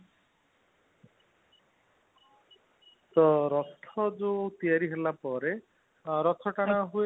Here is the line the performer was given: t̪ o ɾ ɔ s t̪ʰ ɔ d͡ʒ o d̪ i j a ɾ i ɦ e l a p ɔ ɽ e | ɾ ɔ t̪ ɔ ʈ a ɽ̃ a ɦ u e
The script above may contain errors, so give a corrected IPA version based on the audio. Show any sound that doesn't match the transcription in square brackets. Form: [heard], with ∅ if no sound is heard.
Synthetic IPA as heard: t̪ [ɔ] ɾ ɔ s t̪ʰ ɔ d͡ʒ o [t̪] i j a ɾ i ɦ e l a p ɔ [ɾ] e | ɾ ɔ [t̪ʰ] ɔ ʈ a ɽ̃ a ɦ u e